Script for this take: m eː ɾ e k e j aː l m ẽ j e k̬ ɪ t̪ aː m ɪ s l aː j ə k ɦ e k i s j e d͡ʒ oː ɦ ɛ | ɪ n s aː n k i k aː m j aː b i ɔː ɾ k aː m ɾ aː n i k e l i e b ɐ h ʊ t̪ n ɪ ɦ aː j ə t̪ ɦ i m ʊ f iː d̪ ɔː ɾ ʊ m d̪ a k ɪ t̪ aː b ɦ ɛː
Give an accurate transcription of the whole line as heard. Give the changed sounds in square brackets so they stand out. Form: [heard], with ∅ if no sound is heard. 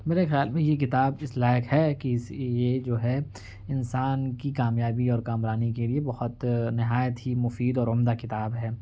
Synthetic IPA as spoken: m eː ɾ e [x] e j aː l m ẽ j e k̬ ɪ t̪ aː [b] ɪ s l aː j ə k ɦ [ɛ] k i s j e d͡ʒ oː ɦ ɛ | ɪ n s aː n k i k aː m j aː b i ɔː ɾ k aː m ɾ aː n i k e l i e b ɐ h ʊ t̪ n ɪ ɦ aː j ə t̪ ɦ i m ʊ f iː d̪ ɔː ɾ ʊ m d̪ a k ɪ t̪ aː b ɦ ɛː

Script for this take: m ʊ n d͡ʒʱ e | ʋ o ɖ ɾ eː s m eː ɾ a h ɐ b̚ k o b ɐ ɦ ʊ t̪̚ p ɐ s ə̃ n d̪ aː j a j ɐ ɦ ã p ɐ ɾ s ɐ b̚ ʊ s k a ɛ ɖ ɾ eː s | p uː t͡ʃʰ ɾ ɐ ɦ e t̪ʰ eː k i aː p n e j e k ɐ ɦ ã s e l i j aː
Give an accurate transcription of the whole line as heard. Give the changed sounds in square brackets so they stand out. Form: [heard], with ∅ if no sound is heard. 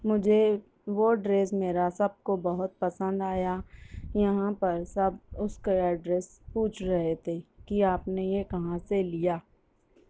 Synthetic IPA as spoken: m ʊ [∅] d͡ʒʱ e | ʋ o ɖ ɾ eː s m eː ɾ a [s] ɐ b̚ k o b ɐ ɦ ʊ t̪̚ p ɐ s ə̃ n d̪ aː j a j ɐ ɦ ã p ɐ ɾ s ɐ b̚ ʊ s k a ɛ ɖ ɾ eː s | p uː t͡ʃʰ ɾ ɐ ɦ e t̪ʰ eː k i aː p n e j e k ɐ ɦ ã s e l i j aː

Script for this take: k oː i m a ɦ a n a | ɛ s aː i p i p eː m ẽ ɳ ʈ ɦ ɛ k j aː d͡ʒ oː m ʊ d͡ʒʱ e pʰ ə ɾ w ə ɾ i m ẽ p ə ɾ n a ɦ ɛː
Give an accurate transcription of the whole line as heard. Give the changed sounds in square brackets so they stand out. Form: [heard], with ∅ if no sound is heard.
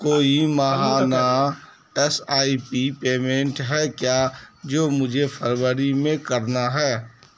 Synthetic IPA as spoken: k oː i m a ɦ a n a | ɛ s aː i p i p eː m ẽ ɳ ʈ ɦ ɛ k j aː d͡ʒ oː m ʊ d͡ʒʱ e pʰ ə ɾ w ə ɾ i m ẽ [k] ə ɾ n a ɦ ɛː

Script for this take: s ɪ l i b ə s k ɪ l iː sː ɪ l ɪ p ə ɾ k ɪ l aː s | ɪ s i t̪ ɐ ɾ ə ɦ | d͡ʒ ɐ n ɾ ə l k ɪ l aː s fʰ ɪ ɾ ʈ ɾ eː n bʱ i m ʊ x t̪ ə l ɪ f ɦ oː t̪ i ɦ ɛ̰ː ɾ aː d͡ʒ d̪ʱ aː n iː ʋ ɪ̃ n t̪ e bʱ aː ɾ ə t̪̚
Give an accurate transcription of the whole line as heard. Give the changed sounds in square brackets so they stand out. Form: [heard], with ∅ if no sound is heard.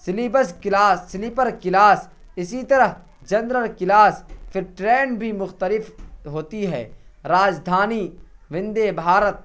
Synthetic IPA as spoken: s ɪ l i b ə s k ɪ l [aː] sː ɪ l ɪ p ə ɾ k ɪ l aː s | ɪ s i t̪ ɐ ɾ ə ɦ | d͡ʒ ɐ n ɾ ə l k ɪ l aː s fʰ ɪ ɾ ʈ ɾ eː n bʱ i m ʊ x t̪ ə l ɪ f ɦ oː t̪ i ɦ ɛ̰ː ɾ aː d͡ʒ d̪ʱ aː n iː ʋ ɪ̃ n [d̪] e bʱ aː ɾ ə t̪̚

